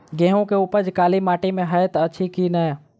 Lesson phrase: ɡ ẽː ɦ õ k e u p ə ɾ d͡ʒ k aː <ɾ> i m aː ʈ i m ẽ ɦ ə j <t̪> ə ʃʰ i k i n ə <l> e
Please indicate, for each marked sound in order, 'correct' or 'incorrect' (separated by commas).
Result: incorrect, correct, incorrect